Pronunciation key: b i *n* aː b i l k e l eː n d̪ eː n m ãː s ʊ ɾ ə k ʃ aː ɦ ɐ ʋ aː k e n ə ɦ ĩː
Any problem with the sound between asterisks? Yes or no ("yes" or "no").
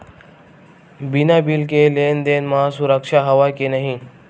no